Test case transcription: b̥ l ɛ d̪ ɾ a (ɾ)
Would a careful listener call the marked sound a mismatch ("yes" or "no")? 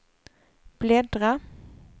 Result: yes